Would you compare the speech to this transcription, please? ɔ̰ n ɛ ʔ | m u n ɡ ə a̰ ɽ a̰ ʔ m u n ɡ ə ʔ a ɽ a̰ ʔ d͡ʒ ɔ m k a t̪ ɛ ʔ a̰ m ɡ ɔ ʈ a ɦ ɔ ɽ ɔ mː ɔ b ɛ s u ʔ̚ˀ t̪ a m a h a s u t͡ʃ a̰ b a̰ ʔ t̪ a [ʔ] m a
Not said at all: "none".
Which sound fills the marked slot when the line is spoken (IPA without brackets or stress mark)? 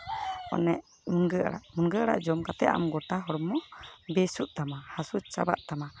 none